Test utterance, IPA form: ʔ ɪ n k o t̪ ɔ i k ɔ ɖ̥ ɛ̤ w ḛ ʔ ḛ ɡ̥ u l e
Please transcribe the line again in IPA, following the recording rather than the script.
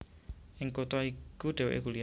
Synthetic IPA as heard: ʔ ɪ ŋ k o t̪ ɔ i k u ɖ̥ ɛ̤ w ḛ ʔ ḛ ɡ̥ u l i

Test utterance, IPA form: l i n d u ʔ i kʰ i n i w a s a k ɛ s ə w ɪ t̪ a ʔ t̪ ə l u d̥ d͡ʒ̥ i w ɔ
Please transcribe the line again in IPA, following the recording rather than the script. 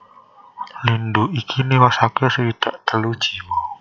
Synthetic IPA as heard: l i n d u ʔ i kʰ i n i w a s a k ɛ s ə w i t̪ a ʔ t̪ ə l u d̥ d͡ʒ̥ i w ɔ

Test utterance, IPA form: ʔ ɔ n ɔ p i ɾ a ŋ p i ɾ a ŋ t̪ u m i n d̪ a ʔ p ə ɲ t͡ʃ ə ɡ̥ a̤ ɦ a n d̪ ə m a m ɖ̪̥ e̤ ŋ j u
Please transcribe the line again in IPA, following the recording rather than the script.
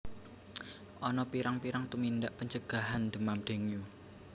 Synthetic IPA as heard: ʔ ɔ n ɔ p i ɾ a ŋ p i ɾ a ŋ t̪ u m i n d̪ a ʔ p ə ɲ t͡ʃ ə ɡ̥ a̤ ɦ a n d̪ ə m a m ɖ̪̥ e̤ ŋ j u

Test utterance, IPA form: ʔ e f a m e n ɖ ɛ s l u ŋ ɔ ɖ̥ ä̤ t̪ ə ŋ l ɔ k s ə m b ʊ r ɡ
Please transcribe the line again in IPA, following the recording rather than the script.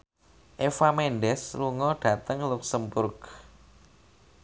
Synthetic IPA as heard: ʔ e f a m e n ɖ ɛ s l u ŋ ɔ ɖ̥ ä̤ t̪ ə ŋ l u k s ə m b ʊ r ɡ

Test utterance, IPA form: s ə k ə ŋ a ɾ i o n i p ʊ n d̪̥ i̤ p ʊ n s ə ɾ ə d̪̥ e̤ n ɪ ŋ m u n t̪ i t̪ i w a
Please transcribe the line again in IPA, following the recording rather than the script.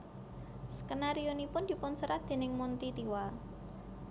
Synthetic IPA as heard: s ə k ə n a ɾ i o n i p ʊ n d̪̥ i̤ p ʊ n s ə ɾ a d̪̥ e̤ n ɪ ŋ m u n t̪ i t̪ i w a

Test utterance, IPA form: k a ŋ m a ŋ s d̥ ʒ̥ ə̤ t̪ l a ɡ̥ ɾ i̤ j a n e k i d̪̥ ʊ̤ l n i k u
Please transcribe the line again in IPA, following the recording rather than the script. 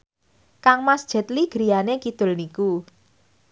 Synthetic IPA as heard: k a ŋ m a s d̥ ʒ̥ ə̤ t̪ l i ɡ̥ ɾ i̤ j a n e k i d̪̥ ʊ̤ l n i k u

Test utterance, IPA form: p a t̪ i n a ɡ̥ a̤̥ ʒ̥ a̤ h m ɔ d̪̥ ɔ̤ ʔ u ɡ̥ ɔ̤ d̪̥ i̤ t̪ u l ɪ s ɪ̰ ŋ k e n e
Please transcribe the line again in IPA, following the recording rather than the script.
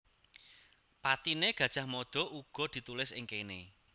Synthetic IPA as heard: p a t̪ i n e ɡ̥ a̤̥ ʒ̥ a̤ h m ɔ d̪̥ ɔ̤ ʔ u ɡ̥ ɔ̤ d̪̥ i̤ t̪ u l ɪ s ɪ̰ ŋ k e n e

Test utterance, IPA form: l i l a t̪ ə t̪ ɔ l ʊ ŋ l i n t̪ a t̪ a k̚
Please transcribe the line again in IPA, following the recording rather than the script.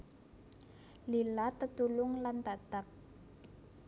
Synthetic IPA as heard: l i l a t̪ ə t̪ u l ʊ ŋ l a n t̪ a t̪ a k̚

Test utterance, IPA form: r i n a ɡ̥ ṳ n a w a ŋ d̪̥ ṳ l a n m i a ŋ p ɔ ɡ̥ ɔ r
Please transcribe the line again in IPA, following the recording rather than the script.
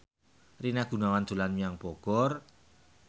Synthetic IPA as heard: r i n a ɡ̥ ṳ n a w a n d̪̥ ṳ l a n m i a ŋ p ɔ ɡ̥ ɔ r

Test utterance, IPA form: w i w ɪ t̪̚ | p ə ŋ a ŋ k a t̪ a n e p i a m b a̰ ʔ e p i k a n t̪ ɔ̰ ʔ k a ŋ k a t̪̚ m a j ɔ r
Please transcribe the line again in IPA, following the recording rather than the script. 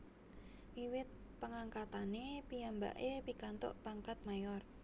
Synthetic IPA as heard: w i w ɪ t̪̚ | p ə ŋ a ŋ k a t̪ a n e p i a m b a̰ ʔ e p i k a n t̪ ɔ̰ ʔ p a ŋ k a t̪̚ m a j ɔ r

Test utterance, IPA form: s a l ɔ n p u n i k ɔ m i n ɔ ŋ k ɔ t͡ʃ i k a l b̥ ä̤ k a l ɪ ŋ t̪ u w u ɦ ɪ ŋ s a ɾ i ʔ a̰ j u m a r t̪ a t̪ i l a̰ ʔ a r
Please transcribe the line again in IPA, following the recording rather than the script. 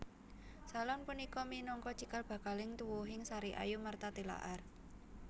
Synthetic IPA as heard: s a l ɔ n p u n i k ɔ m i n ɔ ŋ k ɔ t͡ʃ i k a l b̥ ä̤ k a l ɪ ŋ t̪ u w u ɦ ɪ ŋ s a ɾ i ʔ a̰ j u m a r t̪ a t̪ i l a̰ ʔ a r

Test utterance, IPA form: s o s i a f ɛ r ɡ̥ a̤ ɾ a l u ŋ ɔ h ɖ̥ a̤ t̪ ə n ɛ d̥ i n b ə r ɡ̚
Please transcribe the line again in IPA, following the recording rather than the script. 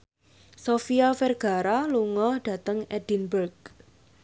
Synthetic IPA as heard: s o f i a f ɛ r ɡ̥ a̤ ɾ a l u ŋ ɔ h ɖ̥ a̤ t̪ ə ŋ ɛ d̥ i n b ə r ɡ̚

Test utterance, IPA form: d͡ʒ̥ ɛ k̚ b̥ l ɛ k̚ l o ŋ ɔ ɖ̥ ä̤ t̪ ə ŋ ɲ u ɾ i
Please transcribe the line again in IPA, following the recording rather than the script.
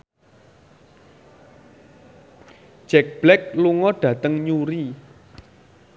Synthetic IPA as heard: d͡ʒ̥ ɛ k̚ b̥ l ɛ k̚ l u ŋ ɔ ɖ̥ ä̤ t̪ ə ŋ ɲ u ɾ i

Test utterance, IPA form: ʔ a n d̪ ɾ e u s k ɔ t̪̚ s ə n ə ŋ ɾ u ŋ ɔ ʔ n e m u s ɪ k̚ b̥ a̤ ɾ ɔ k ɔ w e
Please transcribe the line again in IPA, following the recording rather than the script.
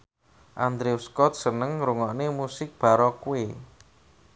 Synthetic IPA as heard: ʔ a n d̪ ɾ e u s k ɔ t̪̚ s ə n ə ŋ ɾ u ŋ ɔ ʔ n e m u s ɪ k̚ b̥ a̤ ɾ ɔ k u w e

